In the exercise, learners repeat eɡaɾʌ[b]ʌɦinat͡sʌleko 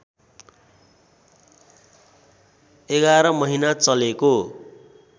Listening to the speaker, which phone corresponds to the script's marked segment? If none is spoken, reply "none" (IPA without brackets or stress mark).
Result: m